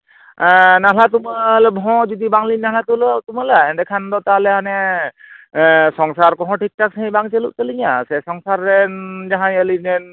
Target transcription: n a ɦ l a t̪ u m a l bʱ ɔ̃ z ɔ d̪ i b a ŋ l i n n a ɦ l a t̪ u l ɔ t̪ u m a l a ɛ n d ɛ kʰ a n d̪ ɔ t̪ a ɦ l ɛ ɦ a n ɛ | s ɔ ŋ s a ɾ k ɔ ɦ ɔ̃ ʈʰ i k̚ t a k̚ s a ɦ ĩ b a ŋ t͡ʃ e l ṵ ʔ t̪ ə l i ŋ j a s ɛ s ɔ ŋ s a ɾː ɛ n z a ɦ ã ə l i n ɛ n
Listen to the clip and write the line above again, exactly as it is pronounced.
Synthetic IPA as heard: n a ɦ l a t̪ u m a l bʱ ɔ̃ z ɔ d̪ i b a ŋ l i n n a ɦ l a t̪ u l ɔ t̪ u m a l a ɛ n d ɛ kʰ a n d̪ ɔ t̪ a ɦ l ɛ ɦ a n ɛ | s ɔ ŋ s a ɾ k ɔ ɦ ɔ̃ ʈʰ i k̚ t a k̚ s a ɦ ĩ b a ŋ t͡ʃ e l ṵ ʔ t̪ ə l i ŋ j a s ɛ s ɔ ŋ s a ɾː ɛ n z a ɦ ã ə l i n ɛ n